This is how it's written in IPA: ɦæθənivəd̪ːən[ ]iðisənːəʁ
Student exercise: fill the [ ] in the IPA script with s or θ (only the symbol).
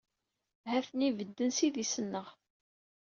s